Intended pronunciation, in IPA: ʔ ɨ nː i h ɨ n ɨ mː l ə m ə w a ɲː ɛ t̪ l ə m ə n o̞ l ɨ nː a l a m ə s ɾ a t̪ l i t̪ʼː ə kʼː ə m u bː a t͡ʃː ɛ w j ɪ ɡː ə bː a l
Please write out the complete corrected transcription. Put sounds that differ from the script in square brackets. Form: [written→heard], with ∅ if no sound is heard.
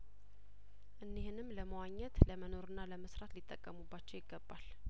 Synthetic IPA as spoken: ʔ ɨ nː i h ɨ n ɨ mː l ə m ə w a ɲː ɛ t̪ l ə m ə n o̞ [l→ɾ] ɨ nː a l [a→ə] m ə s ɾ a t̪ l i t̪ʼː ə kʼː ə m u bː a t͡ʃː ɛ w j ɪ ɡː ə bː a l